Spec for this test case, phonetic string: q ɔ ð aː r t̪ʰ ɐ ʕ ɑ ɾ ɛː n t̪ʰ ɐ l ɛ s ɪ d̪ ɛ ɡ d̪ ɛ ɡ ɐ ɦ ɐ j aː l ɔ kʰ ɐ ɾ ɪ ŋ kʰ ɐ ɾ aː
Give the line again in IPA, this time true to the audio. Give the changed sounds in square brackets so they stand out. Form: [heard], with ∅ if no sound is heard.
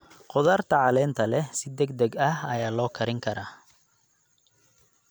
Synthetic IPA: q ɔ ð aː r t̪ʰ ɐ ʕ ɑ [l] ɛː n t̪ʰ ɐ l ɛ s ɪ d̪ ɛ ɡ d̪ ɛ ɡ ɐ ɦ ɐ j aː l [ɔː] kʰ ɐ ɾ ɪ ŋ kʰ ɐ ɾ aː